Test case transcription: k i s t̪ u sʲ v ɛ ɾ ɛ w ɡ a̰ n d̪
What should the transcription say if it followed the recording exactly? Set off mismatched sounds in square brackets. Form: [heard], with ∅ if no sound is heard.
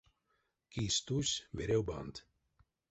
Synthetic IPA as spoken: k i s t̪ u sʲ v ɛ ɾ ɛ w [b] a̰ n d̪